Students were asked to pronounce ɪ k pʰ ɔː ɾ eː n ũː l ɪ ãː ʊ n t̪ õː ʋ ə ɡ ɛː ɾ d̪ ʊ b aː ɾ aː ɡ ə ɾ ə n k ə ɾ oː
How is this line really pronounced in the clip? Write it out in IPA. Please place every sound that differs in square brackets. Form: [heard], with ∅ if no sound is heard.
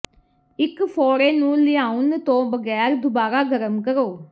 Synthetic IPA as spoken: ɪ k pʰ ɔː ɾ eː n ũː l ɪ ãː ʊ n t̪ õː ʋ ə ɡ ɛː ɾ d̪ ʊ b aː ɾ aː ɡ ə ɾ ə [m] k ə ɾ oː